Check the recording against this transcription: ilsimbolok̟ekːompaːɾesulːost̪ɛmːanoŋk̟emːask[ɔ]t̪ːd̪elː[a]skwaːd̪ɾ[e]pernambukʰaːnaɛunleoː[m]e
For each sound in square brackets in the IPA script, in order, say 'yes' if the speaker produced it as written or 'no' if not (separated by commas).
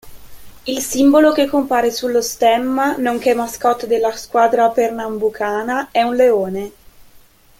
yes, yes, no, no